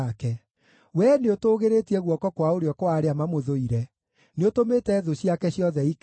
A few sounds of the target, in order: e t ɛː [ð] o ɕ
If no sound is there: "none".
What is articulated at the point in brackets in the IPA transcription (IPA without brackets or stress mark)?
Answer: ð